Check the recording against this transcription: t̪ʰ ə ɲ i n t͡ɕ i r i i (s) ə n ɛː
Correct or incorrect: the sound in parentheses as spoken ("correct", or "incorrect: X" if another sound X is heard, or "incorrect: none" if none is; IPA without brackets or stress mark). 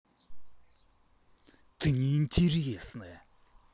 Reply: correct